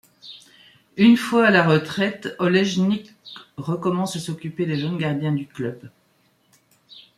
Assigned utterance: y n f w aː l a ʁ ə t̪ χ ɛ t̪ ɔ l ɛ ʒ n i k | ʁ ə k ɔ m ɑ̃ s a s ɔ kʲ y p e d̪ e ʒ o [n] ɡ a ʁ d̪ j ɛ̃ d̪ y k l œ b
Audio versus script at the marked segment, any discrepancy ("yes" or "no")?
no